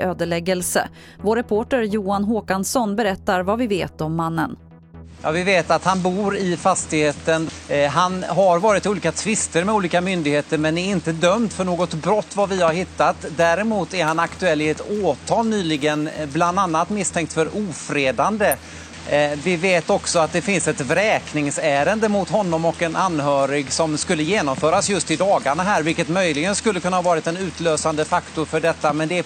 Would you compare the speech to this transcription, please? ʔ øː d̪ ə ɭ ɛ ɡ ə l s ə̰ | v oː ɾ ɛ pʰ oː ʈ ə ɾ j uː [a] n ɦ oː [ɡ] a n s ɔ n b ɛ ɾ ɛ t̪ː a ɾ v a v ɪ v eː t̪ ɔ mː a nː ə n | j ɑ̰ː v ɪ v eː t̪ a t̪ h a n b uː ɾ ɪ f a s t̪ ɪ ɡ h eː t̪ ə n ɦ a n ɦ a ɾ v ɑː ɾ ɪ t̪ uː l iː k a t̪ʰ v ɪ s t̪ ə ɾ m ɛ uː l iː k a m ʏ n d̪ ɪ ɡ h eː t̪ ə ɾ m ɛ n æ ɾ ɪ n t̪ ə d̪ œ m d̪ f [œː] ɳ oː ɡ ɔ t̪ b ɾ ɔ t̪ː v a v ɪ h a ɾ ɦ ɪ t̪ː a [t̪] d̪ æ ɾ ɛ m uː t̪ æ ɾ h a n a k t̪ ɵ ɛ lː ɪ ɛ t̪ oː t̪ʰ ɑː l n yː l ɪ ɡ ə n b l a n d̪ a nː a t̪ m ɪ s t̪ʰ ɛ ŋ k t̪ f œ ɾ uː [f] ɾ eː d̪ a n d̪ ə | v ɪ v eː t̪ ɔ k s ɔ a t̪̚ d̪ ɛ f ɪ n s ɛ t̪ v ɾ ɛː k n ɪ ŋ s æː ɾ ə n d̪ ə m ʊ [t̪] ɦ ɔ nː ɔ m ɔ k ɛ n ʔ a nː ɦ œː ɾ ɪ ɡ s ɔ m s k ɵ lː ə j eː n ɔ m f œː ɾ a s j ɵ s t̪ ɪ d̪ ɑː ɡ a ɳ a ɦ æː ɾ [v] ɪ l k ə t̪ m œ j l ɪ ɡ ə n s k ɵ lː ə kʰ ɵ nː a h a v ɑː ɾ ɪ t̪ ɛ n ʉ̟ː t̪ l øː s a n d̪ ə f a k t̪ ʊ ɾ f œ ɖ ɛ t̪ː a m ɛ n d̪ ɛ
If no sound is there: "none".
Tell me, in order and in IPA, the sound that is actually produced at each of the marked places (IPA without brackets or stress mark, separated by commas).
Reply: a, k, œ, t̪, f, t̪, v